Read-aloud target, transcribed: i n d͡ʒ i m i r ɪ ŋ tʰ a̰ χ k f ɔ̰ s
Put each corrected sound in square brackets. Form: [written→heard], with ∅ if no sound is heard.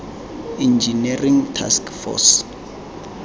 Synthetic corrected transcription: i n d͡ʒ i [m→n] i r [ɪ→i] ŋ tʰ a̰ [χ→s] k f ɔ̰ s